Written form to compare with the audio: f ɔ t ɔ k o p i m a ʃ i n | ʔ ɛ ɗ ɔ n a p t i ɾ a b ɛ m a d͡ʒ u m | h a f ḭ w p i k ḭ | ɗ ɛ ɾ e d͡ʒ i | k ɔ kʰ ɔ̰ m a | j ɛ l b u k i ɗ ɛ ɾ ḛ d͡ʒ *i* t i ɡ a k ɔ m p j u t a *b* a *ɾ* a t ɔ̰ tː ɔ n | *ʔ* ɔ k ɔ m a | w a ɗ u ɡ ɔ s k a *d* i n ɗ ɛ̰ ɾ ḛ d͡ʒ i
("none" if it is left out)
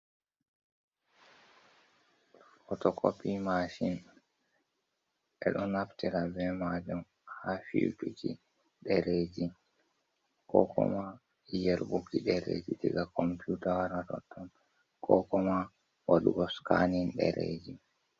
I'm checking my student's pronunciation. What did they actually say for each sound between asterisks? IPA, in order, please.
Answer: i, w, ɾ, k, n

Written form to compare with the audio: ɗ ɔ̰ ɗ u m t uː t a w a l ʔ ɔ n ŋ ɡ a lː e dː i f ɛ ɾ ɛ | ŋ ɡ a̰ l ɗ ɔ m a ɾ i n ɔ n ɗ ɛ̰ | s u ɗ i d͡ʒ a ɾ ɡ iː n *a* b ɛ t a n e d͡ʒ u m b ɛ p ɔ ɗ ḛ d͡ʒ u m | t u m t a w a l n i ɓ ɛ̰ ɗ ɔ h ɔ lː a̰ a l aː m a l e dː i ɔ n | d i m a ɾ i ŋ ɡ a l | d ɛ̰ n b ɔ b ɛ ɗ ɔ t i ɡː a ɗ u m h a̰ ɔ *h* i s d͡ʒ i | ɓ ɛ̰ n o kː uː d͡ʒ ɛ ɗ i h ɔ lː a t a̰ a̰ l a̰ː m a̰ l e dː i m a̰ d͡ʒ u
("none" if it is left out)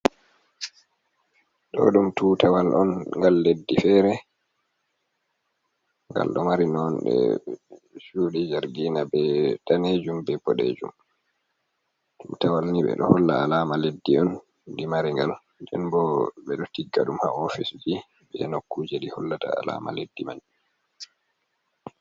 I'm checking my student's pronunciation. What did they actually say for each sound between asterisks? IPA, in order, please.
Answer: a, f

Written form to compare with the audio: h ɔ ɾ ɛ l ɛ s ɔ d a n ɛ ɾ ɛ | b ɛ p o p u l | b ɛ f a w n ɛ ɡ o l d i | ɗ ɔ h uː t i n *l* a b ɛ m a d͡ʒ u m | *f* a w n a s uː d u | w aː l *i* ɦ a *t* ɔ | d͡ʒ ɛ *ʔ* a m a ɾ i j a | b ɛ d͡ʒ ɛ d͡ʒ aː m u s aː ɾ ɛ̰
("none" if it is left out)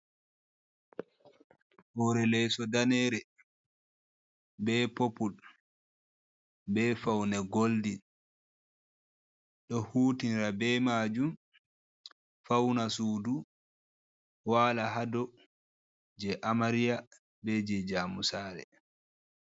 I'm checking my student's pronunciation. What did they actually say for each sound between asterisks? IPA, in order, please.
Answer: ɾ, f, a, d, ʔ

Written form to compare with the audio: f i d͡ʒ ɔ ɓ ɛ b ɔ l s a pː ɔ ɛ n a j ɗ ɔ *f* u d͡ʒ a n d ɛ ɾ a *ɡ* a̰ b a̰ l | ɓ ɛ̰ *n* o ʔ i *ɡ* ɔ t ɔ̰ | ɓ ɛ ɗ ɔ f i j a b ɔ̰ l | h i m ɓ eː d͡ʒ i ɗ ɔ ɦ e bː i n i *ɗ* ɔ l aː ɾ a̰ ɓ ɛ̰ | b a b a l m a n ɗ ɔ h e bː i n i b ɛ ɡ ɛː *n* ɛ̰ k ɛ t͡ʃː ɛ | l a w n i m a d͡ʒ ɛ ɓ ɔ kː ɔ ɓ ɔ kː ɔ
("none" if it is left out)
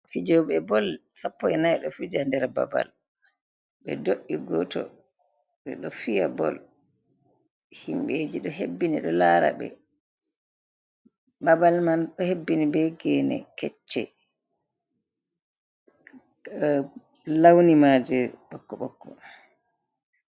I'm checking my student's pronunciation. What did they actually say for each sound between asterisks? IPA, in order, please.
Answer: f, b, d, ɡ, ɗ, n

